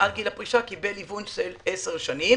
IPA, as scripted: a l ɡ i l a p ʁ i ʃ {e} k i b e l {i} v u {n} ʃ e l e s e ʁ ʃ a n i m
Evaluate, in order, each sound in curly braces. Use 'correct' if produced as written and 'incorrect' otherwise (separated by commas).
incorrect, correct, correct